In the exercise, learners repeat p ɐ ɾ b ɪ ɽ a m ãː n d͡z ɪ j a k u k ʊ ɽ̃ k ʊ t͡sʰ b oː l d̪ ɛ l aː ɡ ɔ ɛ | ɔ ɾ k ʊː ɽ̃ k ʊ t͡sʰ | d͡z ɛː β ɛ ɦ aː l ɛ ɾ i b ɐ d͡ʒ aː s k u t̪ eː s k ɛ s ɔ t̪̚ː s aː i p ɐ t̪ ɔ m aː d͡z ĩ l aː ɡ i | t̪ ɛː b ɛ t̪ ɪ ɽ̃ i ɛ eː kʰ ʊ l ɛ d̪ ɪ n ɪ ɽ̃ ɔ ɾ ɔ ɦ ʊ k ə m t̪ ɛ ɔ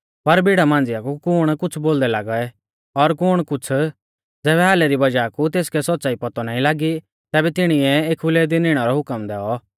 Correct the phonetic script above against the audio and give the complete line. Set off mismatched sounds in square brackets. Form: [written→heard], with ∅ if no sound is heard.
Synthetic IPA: p ɐ ɾ b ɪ ɽ a m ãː n d͡z ɪ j a k u k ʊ ɽ̃ k ʊ t͡sʰ b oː l d̪ ɛ l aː ɡ ɔ ɛ | ɔ ɾ k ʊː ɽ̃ k ʊ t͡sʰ | d͡z ɛː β ɛ ɦ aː l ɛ ɾ i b ɐ d͡ʒ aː [s→∅] k u t̪ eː s k ɛ s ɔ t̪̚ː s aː i p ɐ t̪ ɔ [m→n] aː [d͡z→∅] ĩ l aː ɡ i | t̪ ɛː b ɛ t̪ ɪ ɽ̃ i ɛ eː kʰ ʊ l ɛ d̪ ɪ n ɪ ɽ̃ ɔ ɾ ɔ ɦ ʊ k ə m [t̪→d̪] ɛ ɔ